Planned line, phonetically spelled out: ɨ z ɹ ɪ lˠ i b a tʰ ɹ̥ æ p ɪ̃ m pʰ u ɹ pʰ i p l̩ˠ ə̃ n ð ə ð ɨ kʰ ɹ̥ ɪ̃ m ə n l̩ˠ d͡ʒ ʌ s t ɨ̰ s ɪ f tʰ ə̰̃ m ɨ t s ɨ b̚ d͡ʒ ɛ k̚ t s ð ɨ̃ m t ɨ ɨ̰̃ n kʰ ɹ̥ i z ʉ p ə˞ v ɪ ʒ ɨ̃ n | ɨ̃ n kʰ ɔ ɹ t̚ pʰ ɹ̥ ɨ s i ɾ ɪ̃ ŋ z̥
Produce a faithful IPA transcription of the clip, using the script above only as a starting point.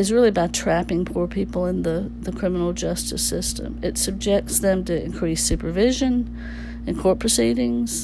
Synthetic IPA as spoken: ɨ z ɹ ɪ lˠ i b a tʰ ɹ̥ æ p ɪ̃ ŋ pʰ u ɹ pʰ i p l̩ˠ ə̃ n ð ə ð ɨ kʰ ɹ̥ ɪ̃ m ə n l̩ˠ d͡ʒ ʌ s t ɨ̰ s ɪ s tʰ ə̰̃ m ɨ t s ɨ b̚ d͡ʒ ɛ k̚ t s ð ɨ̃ m t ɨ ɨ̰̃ n kʰ ɹ̥ i s ʉ p ə˞ v ɪ ʒ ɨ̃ n | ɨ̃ n kʰ ɔ ɹ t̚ pʰ ɹ̥ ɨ s i ɾ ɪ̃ ŋ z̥